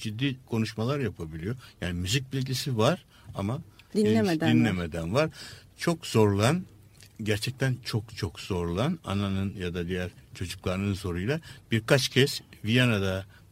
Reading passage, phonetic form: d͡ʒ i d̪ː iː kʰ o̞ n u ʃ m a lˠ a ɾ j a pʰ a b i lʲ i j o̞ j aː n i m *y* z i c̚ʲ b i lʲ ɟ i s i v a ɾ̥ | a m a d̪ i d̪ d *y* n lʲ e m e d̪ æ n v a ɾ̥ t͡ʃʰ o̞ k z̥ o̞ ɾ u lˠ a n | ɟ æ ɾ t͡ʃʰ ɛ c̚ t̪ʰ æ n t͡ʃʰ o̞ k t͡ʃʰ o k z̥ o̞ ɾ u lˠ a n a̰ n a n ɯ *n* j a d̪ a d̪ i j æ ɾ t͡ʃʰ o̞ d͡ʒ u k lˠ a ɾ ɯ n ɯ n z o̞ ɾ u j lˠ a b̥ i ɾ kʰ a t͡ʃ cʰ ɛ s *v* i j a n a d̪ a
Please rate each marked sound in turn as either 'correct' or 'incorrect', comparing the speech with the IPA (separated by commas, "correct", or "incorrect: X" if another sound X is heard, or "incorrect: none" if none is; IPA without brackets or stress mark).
correct, incorrect: i, correct, correct